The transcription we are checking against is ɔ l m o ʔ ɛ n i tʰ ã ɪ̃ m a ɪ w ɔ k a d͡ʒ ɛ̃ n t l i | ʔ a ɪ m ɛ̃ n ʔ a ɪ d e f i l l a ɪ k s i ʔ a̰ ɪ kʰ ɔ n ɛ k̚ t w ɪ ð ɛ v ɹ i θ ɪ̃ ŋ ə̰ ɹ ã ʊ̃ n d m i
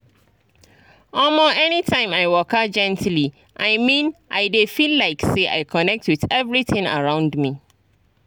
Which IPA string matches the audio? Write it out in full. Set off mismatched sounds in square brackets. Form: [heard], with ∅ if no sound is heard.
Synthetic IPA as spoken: ɔ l m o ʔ ɛ n i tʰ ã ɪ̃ m a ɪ w ɔ k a d͡ʒ ɛ̃ n t l i | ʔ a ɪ m [ĩ] n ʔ a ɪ d e f i l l a ɪ k s [e] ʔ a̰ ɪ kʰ ɔ n ɛ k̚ t w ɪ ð ɛ v ɹ i θ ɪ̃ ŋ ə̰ ɹ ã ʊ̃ n d m i